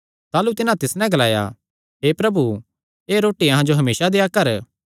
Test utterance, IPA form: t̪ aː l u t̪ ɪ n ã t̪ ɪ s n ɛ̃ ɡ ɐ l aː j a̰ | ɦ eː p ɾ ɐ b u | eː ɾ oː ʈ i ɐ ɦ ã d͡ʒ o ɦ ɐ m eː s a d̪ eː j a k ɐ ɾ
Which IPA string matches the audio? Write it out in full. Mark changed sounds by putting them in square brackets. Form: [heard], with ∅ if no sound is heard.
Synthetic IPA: t̪ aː l u t̪ ɪ n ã t̪ ɪ s n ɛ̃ ɡ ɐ l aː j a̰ | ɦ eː p ɾ ɐ b u | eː ɾ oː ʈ i ɐ ɦ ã d͡ʒ o ɦ ɐ m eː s a d̪ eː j a k ɐ ɾ